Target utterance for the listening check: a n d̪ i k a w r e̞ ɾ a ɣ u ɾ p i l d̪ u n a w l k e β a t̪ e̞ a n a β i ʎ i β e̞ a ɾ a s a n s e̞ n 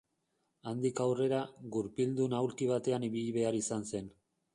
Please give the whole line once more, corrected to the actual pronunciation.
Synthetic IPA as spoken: a n d̪ i k a w r e̞ ɾ a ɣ u ɾ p i l d̪ u n a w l k i β a t̪ e̞ a n i β i ʎ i β e̞ a ɾ i s a n s e̞ n